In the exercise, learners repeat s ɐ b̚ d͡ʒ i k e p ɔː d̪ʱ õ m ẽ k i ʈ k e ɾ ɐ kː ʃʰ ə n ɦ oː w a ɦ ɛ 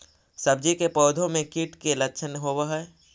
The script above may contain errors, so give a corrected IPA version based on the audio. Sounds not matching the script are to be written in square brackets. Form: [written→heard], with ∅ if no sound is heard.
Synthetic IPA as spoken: s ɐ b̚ d͡ʒ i k e p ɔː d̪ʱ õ m ẽ k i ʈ k e [ɾ→l] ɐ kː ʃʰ ə n ɦ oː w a ɦ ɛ